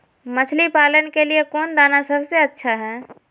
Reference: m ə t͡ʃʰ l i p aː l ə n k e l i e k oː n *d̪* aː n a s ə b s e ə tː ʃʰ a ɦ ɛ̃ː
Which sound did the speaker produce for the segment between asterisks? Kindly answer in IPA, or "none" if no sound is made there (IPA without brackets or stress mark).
d̪